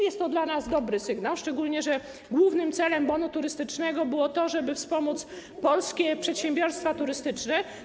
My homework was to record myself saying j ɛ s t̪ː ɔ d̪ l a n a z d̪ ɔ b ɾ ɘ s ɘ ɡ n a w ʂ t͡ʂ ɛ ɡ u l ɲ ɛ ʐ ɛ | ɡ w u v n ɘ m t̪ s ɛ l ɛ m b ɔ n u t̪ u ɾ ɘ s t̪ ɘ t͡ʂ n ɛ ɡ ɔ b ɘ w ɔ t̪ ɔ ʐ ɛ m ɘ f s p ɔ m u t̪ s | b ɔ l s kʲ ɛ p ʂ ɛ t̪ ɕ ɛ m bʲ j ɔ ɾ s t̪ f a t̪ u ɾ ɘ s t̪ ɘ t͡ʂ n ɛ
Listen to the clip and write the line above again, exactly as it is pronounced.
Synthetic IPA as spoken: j ɛ s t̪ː ɔ d̪ l a n a z d̪ ɔ b ɾ ɘ s ɘ ɡ n a w ʂ t͡ʂ ɛ ɡ u l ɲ ɛ ʐ ɛ | ɡ w u v n ɘ m t̪ s ɛ l ɛ m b ɔ n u t̪ u ɾ ɘ s t̪ ɘ t͡ʂ n ɛ ɡ ɔ b ɘ w ɔ t̪ ɔ ʐ ɛ b ɘ f s p ɔ m u t̪ s | p ɔ l s kʲ ɛ p ʂ ɛ t̪ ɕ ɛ m bʲ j ɔ ɾ s t̪ f a t̪ u ɾ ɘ s t̪ ɘ t͡ʂ n ɛ

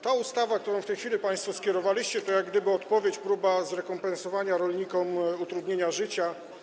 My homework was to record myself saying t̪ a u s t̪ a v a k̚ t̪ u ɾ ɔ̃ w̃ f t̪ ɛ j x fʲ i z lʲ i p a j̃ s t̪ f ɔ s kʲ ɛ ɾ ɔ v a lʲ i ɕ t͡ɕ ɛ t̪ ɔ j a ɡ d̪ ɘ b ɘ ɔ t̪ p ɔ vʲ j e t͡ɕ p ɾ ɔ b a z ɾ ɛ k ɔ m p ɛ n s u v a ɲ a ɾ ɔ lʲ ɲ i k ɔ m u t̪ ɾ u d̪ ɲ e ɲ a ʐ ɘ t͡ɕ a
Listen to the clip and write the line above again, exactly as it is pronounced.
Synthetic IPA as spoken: t̪ a u s t̪ a v a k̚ t̪ u ɾ ɔ̃ w̃ f t̪ ɛ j x fʲ i lʲ i p a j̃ s t̪ f ɔ s kʲ ɛ ɾ ɔ v a lʲ i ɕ t͡ɕ ɛ t̪ ɔ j a ɡ d̪ ɘ b ɘ ɔ t̪ p ɔ vʲ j e t͡ɕ p ɾ u b a z ɾ ɛ k ɔ m p ɛ n s ɔ v a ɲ a ɾ ɔ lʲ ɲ i k ɔ m u t̪ ɾ u d̪ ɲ e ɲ a ʐ ɘ t͡ɕ a

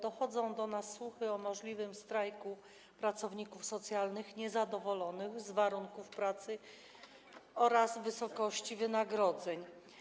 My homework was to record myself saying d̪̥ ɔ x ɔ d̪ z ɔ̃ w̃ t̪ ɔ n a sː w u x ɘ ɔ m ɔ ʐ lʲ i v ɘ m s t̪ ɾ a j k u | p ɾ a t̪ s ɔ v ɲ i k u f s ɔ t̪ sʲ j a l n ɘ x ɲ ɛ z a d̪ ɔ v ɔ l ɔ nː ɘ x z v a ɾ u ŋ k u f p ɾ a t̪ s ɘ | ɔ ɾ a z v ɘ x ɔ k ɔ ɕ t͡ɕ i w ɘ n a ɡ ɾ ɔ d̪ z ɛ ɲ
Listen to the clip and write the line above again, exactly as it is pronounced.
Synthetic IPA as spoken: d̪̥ ɔ x ɔ d̪ z ɔ̃ w̃ d̪ ɔ n a sː w u x ɘ ɔ m ɔ ʐ lʲ i v ɘ m s t̪ ɾ a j k u | p ɾ a t̪ s ɔ v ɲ i k u f s ɔ t̪ sʲ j a l n ɘ x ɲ ɛ z a d̪ ɔ v ɔ l ɔ n ɘ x z v a ɾ u ŋ k u f p ɾ a t̪ s ɘ | ɔ ɾ a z v ɘ s ɔ k ɔ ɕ t͡ɕ i v ɘ n a ɡ ɾ ɔ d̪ z ɛ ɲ

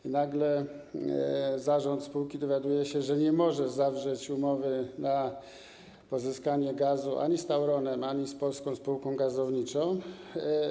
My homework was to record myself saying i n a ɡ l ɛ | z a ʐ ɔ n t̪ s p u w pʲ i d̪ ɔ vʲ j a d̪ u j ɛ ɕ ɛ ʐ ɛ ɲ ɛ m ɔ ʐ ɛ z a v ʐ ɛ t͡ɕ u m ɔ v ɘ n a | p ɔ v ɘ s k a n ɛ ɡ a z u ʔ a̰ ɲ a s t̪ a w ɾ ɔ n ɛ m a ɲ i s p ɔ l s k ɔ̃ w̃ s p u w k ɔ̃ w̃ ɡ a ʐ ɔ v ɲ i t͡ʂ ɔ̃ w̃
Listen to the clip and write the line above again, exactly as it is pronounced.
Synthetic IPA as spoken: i n a ɡ l ɛ | z a ʐ ɔ n t̪ s p u w kʲ i d̪ ɔ vʲ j a d̪ u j ɛ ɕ ɛ ʐ ɛ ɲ ɛ m ɔ ʐ ɛ z a v ʐ ɛ t͡ɕ u m ɔ v ɘ n a | p ɔ z ɘ s k a ɲ ɛ ɡ a z u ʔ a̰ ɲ i s t̪ a w ɾ ɔ n ɛ m a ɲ i s p ɔ l s k ɔ̃ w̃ s p u w k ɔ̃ w̃ ɡ a z ɔ v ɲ i t͡ʂ ɔ̃ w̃

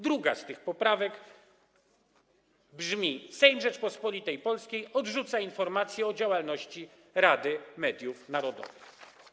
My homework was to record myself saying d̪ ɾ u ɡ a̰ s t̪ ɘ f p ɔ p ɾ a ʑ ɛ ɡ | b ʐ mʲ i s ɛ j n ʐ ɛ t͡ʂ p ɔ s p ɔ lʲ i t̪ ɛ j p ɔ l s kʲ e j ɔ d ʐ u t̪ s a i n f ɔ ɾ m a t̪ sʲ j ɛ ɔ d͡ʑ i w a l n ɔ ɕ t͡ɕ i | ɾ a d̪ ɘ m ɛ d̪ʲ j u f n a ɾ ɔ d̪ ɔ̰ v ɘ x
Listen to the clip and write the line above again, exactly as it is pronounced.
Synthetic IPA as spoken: d̪ ɾ u ɡ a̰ s t̪ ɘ x p ɔ p ɾ a v ɛ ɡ | b ʐ mʲ i s ɛ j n ʐ ɛ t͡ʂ p ɔ s p ɔ lʲ i t̪ ɛ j p ɔ l s kʲ e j ɔ d ʐ u t̪ s a i n f ɔ ɾ m a t̪ sʲ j ɛ ɔ d͡ʑ a w a l n ɔ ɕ t͡ɕ i | ɾ a d̪ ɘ m ɛ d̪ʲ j u f n a ɾ ɔ d̪ ɔ̰ v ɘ x

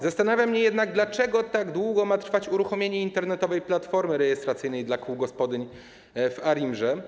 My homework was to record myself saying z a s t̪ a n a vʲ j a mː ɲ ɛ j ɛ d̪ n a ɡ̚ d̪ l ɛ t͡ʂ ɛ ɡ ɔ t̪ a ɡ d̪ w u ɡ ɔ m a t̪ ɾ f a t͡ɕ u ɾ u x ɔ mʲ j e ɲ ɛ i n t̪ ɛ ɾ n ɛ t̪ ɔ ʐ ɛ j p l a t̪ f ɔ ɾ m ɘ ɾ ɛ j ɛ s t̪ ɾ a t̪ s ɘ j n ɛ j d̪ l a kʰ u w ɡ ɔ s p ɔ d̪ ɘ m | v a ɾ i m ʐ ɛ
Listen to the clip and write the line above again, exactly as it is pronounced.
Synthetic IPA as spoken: z a s t̪ a n a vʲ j a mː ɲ ɛ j ɛ d̪ n a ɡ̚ d̪ l a t͡ʂ ɛ ɡ ɔ t̪ a ɡ d̪ w u ɡ ɔ m a t̪ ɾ f a t͡ɕ u ɾ u x ɔ mʲ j e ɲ ɛ i n t̪ ɛ ɾ n ɛ t̪ ɔ v ɛ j p l a t̪ f ɔ ɾ m ɘ ɾ ɛ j ɛ s t̪ ɾ a t̪ s ɘ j n ɛ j d̪ l a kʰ u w ɡ ɔ s p ɔ d̪ ɘ ɲ | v a ɾ i m ʐ ɛ

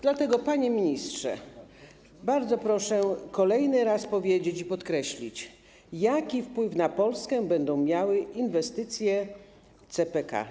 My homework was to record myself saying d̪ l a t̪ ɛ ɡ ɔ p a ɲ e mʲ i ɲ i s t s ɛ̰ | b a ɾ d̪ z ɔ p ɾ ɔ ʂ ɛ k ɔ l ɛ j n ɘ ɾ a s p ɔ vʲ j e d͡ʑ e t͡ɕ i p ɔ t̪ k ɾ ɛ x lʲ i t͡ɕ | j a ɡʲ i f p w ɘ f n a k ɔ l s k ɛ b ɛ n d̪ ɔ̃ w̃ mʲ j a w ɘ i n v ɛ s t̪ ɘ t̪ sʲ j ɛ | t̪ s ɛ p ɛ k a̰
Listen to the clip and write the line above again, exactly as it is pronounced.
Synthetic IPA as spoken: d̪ l a t̪ ɛ ɡ ɔ p a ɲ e mʲ i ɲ i s t ʂ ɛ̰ | b a ɾ d̪ z ɔ p ɾ ɔ ʂ ɛ k ɔ l ɛ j n ɘ ɾ a s p ɔ vʲ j e d͡ʑ e t͡ɕ i p ɔ t̪ k ɾ ɛ ɕ lʲ i t͡ɕ | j a kʲ i f p w ɘ f n a p ɔ l s k ɛ b ɛ n d̪ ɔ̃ w̃ mʲ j a w ɘ i n v ɛ s t̪ ɘ t̪ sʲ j ɛ | t̪ s ɛ p ɛ k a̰

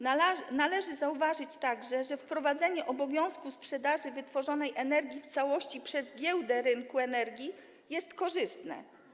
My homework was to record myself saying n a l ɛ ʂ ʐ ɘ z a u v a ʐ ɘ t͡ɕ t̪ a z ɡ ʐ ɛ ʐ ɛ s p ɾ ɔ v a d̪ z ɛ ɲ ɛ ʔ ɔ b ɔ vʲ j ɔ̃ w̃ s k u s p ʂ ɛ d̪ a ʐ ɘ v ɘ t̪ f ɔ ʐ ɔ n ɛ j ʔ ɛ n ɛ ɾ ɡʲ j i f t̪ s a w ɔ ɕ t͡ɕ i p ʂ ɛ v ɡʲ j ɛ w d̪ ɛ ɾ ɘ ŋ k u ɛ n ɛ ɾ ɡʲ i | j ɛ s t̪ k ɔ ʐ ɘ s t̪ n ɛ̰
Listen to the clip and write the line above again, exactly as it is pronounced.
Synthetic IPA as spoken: n a l ɛ ʐ ɘ z a u v a ʐ ɘ t͡ɕ t̪ a ɡ ʐ ɛ ʐ ɛ f p ɾ ɔ v a d̪ z ɛ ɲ ɛ ʔ ɔ b ɔ vʲ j ɔ̃ w̃ s k u s p ʂ ɛ d̪ a ʐ ɘ v ɘ t̪ f ɔ ʐ ɔ n ɛ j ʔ ɛ n ɛ ɾ ɡʲ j i f t̪ s a w ɔ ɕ t͡ɕ i p ʂ ɛ z ɡʲ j ɛ w d̪ ɛ ɾ ɘ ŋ k u ɛ n ɛ ɾ ɡʲ i | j ɛ s t̪ k ɔ ʐ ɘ s t̪ n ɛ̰

